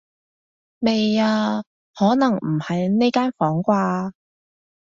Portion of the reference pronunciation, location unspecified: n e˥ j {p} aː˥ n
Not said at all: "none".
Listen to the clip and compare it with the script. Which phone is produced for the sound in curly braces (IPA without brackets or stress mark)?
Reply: k